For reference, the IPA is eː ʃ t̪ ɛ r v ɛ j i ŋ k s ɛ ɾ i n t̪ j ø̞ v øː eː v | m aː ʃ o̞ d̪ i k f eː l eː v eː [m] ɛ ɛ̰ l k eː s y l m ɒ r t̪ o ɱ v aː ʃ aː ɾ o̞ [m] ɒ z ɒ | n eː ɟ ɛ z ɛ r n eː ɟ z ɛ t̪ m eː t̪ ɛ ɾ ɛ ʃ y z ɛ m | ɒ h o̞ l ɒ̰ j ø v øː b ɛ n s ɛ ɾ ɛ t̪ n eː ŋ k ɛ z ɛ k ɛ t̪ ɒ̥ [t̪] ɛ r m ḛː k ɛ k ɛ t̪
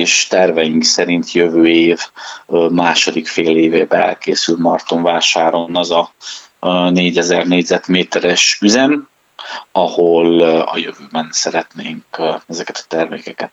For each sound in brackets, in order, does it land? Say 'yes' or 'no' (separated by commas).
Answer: no, no, yes